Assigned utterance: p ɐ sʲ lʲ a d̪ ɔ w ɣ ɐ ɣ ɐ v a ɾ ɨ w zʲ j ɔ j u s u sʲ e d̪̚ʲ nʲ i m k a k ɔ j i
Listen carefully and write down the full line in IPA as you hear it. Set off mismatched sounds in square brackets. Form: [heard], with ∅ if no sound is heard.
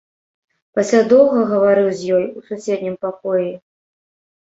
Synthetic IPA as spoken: p ɐ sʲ lʲ a d̪ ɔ w ɣ ɐ ɣ ɐ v a ɾ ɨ w zʲ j ɔ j u s u sʲ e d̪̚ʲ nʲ i m [p] a k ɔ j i

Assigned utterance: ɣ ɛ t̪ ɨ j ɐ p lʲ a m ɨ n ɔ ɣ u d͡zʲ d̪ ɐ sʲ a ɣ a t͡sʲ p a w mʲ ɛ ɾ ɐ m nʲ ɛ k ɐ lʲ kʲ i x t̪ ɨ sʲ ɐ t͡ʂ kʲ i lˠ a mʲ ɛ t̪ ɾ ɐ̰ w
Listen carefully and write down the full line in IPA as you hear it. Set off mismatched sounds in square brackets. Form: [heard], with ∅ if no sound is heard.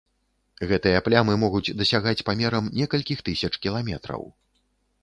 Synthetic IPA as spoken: ɣ ɛ t̪ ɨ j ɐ p lʲ a m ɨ [m] ɔ ɣ u d͡zʲ d̪ ɐ sʲ a ɣ a t͡sʲ p a [∅] mʲ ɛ ɾ ɐ m nʲ ɛ k ɐ lʲ kʲ i x t̪ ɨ sʲ ɐ t͡ʂ kʲ i lˠ a mʲ ɛ t̪ ɾ ɐ̰ w

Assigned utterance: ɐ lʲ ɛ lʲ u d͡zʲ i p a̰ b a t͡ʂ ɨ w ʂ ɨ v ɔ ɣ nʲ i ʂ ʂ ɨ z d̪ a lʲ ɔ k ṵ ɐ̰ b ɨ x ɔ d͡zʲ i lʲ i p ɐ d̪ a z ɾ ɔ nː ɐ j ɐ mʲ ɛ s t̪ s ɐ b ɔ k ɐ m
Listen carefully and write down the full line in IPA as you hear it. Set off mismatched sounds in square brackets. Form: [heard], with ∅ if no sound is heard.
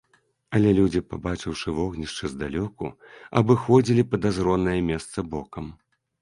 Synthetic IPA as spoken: ɐ lʲ ɛ lʲ u d͡zʲ i p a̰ b a t͡ʂ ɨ w ʂ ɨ v ɔ ɣ nʲ i ʂ [t͡ʂ] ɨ z d̪ a lʲ ɔ k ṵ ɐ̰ b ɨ x ɔ d͡zʲ i lʲ i p ɐ d̪ a z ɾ ɔ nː ɐ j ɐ mʲ ɛ s t̪ s ɐ b ɔ k ɐ m

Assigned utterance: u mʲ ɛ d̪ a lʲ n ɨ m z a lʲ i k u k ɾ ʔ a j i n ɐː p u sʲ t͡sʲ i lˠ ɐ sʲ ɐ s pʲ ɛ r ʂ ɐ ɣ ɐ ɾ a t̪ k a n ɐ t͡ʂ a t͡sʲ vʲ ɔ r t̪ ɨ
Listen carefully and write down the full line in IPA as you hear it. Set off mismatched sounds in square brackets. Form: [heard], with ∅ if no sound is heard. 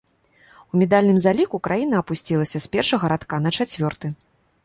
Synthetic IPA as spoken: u mʲ ɛ d̪ a lʲ n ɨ m z a lʲ i k u k ɾ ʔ a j i n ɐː p u sʲ t͡sʲ i lˠ ɐ sʲ ɐ s pʲ ɛ r ʂ ɐ ɣ ɐ ɾ a t̪ k a n ɐ t͡ʂ a t͡sʲ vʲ ɔ r t̪ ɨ

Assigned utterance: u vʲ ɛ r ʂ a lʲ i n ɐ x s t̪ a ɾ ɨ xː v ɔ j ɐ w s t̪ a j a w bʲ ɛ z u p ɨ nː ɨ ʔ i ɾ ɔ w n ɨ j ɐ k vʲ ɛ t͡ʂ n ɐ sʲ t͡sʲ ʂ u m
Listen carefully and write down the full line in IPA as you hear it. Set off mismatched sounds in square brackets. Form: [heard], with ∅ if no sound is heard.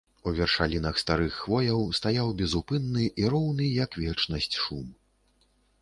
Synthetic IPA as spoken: u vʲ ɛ r ʂ a lʲ i n ɐ x s t̪ a ɾ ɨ xː v ɔ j ɐ w s t̪ a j a w bʲ ɛ z u p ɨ nː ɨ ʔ i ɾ ɔ w n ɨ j ɐ k vʲ ɛ t͡ʂ n ɐ sʲ t͡sʲ ʂ u m

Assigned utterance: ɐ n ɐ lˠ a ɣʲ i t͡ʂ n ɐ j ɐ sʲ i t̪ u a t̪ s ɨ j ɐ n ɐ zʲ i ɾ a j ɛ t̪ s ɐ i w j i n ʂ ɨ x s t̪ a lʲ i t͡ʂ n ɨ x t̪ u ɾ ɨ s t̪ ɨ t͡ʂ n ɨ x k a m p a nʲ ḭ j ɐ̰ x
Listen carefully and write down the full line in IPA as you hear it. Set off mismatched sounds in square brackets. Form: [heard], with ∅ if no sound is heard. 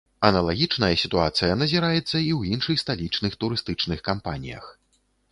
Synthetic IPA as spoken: ɐ n ɐ lˠ a ɣʲ i t͡ʂ n ɐ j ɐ sʲ i t̪ u a t̪ s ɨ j ɐ n ɐ zʲ i ɾ a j ɛ t̪ [sː] ɐ i w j i n ʂ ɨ x s t̪ a lʲ i t͡ʂ n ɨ x t̪ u ɾ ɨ s t̪ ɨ t͡ʂ n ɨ x k a m p a nʲ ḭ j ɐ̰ x

